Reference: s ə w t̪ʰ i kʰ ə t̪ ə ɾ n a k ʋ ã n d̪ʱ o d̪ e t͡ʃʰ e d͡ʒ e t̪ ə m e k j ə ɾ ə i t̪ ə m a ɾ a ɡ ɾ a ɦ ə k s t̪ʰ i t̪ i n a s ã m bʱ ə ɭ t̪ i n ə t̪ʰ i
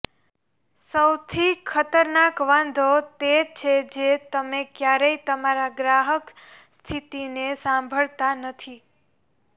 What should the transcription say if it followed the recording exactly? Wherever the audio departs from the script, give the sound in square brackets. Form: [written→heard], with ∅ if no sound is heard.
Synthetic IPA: s ə w t̪ʰ i kʰ ə t̪ ə ɾ n a k ʋ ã n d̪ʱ o [d̪→t̪] e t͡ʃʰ e d͡ʒ e t̪ ə m e k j [ə→a] ɾ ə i t̪ ə m a ɾ a ɡ ɾ a ɦ ə k s t̪ʰ i t̪ i n [a→e] s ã m bʱ ə ɭ t̪ [i→a] n ə t̪ʰ i

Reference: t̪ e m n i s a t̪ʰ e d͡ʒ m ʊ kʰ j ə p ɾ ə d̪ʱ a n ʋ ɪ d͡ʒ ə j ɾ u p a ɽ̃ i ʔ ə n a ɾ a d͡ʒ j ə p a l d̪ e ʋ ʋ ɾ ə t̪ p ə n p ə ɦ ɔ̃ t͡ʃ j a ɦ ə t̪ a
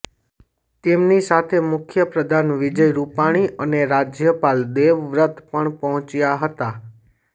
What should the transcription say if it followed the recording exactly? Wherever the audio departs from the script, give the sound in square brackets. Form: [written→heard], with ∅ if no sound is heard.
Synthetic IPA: t̪ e m n i s a t̪ʰ e [d͡ʒ→∅] m ʊ kʰ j ə p ɾ ə d̪ʱ a n ʋ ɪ d͡ʒ ə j ɾ u p a ɽ̃ i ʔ ə n [a→e] ɾ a d͡ʒ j ə p a l d̪ e ʋ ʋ ɾ ə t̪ p ə [n→ɳ] p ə ɦ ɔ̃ t͡ʃ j a ɦ ə t̪ a

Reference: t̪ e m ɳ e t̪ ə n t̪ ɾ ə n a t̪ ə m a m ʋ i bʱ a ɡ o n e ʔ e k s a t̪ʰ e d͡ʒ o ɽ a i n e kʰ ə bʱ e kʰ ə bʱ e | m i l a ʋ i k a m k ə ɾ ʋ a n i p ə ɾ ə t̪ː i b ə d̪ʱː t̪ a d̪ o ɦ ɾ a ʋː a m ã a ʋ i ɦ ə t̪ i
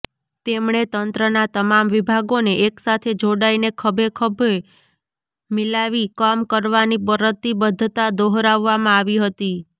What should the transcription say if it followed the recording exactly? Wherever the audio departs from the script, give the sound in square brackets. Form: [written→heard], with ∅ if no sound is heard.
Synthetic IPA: t̪ e m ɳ e t̪ ə n t̪ ɾ ə n a t̪ ə m a m ʋ i bʱ a ɡ o n e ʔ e k s a t̪ʰ e d͡ʒ o ɽ a i n e kʰ ə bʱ e kʰ ə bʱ e | m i l a ʋ i k a m k ə ɾ ʋ a n i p ə ɾ ə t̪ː i b ə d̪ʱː t̪ a d̪ o ɦ ɾ a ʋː a m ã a ʋ i ɦ ə t̪ i

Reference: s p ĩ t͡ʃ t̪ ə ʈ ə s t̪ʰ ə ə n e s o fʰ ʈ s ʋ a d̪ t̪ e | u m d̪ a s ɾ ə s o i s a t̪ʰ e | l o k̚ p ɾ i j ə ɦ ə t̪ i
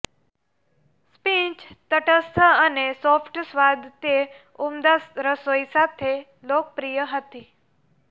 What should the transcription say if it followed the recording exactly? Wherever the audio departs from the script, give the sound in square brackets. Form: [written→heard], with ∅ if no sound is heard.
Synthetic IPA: s p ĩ t͡ʃ t̪ ə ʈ ə s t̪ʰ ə ə n e s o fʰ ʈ s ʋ a d̪ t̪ e | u m d̪ a s ɾ ə s o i s a t̪ʰ e | l o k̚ p ɾ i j ə ɦ ə t̪ i

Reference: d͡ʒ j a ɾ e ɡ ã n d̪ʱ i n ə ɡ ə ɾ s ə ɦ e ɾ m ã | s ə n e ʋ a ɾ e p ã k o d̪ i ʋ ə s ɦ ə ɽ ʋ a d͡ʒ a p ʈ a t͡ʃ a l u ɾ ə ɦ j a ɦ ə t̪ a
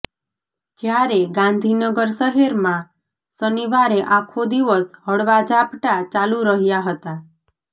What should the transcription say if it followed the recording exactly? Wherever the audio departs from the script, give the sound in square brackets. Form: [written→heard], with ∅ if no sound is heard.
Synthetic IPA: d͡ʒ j a ɾ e ɡ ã n d̪ʱ i n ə ɡ ə ɾ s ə ɦ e ɾ m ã | s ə n [e→i] ʋ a ɾ e [p→ʔ] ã [k→kʰ] o d̪ i ʋ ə s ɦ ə ɽ ʋ a d͡ʒ a p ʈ a t͡ʃ a l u ɾ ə ɦ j a ɦ ə t̪ a

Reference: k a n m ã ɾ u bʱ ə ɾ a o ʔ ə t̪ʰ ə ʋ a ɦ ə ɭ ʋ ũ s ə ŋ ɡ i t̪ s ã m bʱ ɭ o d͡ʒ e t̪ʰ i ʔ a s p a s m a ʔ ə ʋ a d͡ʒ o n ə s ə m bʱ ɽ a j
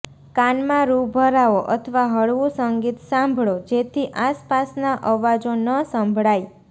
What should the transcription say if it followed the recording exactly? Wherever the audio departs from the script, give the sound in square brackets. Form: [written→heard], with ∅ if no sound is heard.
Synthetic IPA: k a n m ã ɾ u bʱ ə ɾ a o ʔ ə t̪ʰ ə ʋ a ɦ ə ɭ ʋ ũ s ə ŋ ɡ i t̪ s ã m bʱ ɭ o d͡ʒ e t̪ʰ i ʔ a s p a s [m→n] a ʔ ə ʋ a d͡ʒ o n ə s ə m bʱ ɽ a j

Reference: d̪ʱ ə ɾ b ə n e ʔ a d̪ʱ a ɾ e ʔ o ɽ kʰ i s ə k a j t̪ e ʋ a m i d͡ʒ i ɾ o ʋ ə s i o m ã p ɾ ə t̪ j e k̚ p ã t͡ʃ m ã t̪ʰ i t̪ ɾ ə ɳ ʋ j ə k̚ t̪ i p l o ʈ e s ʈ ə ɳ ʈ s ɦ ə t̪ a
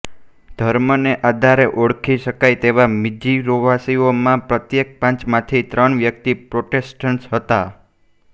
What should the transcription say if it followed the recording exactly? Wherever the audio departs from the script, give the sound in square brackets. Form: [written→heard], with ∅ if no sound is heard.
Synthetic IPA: d̪ʱ ə ɾ [b→m] ə n e ʔ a d̪ʱ a ɾ e ʔ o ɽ kʰ i [s→ʃ] ə k a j t̪ e ʋ a m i d͡ʒ i ɾ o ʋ [ə→a] s i o m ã p ɾ ə t̪ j e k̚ p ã t͡ʃ m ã t̪ʰ i t̪ ɾ ə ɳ ʋ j ə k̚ t̪ i p [l→ɾ] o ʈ e s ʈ ə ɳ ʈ s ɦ ə t̪ a

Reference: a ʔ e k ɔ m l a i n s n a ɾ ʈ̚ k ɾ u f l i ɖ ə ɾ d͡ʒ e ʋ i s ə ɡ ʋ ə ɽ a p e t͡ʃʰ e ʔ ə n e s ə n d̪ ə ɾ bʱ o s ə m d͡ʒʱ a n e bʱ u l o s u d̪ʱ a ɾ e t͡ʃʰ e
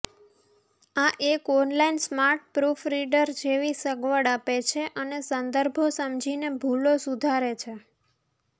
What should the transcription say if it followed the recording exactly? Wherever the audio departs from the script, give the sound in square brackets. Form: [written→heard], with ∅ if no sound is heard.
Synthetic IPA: a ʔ e k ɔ [m→n] l a i n s [n→m] a ɾ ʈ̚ [k→p] ɾ u f [l→ɾ] i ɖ ə ɾ d͡ʒ e ʋ i s ə ɡ ʋ ə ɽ a p e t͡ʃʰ e ʔ ə n e s ə n d̪ ə ɾ bʱ o s ə m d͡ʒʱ [a→i] n e bʱ u l o s u d̪ʱ a ɾ e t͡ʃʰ e

